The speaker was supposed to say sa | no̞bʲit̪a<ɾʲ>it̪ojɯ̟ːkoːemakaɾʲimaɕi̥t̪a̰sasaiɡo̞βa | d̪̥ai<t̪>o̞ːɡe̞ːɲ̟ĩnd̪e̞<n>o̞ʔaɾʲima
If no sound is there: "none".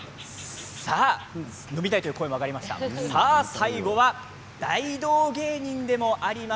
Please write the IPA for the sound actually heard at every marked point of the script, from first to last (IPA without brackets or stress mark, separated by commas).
none, d̪, m